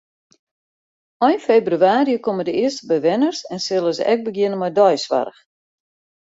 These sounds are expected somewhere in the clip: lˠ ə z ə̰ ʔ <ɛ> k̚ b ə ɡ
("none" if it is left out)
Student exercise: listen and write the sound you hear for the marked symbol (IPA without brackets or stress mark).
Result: ɛ